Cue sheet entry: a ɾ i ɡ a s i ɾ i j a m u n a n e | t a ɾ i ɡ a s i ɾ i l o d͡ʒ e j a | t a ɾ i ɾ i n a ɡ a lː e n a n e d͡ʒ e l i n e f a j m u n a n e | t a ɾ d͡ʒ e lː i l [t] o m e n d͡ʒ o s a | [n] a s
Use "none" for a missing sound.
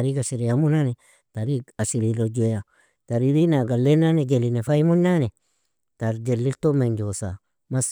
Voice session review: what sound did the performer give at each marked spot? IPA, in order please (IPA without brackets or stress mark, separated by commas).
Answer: t, m